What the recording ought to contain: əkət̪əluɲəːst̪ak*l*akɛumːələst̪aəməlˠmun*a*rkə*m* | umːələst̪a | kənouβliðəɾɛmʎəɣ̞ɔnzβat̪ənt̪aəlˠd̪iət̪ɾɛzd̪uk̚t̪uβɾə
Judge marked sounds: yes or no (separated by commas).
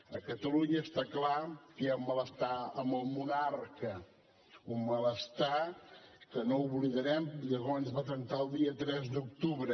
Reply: yes, yes, no